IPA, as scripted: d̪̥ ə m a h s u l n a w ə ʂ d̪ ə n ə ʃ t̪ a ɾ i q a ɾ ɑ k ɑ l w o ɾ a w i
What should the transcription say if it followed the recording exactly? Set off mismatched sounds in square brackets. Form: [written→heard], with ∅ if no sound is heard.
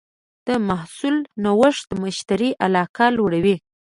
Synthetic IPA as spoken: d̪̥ ə m a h s u l n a w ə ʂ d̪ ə [n→m] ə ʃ t̪ a ɾ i [q→ʔ] a [ɾ→l] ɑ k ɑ l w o [ɾ→ɽ] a w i